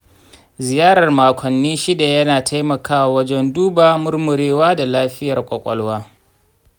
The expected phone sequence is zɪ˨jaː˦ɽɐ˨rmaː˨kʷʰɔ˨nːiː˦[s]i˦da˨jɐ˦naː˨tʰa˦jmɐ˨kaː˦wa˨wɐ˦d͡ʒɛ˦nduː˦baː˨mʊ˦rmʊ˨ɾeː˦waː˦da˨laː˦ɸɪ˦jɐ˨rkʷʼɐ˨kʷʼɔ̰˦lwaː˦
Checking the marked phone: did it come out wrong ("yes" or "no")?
yes